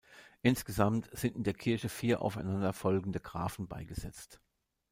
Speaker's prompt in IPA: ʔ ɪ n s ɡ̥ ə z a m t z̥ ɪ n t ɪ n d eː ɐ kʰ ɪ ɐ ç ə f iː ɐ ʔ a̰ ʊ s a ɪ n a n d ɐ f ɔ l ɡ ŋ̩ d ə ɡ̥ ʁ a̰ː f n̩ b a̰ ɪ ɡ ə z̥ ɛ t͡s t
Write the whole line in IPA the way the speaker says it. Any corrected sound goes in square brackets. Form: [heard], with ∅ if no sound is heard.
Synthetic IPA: ʔ ɪ n s ɡ̥ ə z a m t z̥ ɪ n t ɪ n d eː ɐ kʰ ɪ ɐ ç ə f iː ɐ ʔ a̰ ʊ [f] a ɪ n a n d ɐ f ɔ l ɡ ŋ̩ d ə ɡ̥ ʁ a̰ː f n̩ b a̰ ɪ ɡ ə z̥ ɛ t͡s t